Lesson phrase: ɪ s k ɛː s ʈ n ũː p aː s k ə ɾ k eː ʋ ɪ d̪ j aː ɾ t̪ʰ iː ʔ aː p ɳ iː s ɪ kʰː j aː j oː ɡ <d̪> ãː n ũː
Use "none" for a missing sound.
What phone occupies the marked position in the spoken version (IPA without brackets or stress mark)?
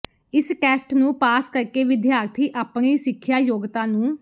t̪